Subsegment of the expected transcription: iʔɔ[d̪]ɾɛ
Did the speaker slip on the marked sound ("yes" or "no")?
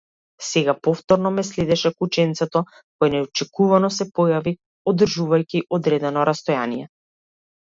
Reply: no